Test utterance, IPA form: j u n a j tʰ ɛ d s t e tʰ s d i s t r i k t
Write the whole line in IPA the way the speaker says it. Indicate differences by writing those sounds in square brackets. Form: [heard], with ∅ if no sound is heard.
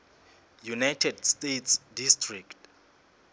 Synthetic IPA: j u n a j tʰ ɛ d s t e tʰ s d i s t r i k t